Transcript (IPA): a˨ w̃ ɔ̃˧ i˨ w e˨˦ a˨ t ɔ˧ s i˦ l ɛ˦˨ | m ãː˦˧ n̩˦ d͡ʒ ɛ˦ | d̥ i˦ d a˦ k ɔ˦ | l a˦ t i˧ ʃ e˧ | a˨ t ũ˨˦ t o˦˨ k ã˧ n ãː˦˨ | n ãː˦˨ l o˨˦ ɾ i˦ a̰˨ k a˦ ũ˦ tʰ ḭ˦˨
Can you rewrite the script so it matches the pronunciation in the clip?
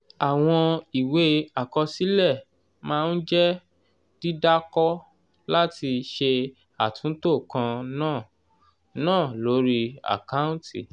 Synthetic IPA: a˨ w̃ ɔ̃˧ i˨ w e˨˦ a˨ k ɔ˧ s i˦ l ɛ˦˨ | m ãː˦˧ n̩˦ d͡ʒ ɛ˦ | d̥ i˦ d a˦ k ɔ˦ | l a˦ t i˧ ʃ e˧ | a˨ t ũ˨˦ t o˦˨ k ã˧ n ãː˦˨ | n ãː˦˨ l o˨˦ ɾ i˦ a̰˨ k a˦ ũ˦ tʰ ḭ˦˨